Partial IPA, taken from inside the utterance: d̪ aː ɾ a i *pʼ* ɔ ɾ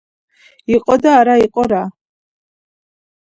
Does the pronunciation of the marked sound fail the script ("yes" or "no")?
yes